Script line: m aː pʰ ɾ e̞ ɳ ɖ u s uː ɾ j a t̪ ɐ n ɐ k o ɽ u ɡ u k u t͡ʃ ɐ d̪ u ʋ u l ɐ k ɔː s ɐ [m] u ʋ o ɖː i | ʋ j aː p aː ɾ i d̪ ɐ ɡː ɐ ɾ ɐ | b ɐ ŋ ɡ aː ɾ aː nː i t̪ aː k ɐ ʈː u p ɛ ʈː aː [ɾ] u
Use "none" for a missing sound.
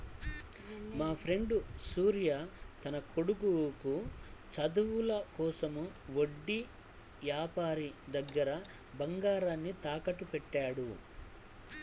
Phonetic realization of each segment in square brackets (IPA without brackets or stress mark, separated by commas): m, ɽ